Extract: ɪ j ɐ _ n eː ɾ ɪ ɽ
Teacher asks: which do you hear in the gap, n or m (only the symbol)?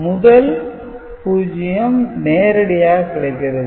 m